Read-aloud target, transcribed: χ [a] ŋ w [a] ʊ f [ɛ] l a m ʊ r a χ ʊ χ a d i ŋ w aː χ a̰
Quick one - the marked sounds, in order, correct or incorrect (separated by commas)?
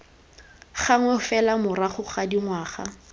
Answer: correct, incorrect, correct